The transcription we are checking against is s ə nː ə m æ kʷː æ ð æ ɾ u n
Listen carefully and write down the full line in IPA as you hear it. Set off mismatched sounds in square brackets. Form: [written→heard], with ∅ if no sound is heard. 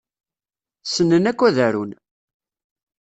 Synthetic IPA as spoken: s ə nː ə [m→n] æ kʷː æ ð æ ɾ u n